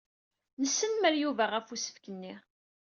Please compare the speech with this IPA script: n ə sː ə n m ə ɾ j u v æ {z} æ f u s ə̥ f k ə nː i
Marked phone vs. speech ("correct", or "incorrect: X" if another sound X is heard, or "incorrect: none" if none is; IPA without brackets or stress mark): incorrect: ʁ